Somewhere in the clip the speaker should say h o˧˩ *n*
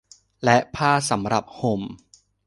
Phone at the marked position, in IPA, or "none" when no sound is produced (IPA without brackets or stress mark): m